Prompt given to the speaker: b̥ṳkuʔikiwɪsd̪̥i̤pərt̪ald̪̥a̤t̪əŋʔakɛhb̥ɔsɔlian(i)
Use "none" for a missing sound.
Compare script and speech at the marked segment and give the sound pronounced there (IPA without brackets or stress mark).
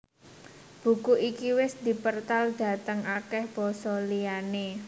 e